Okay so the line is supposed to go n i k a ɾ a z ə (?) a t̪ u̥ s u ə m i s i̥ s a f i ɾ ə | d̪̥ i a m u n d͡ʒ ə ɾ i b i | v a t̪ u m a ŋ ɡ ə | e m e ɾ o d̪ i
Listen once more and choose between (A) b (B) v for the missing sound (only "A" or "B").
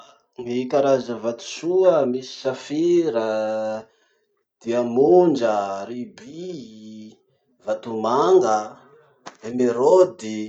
B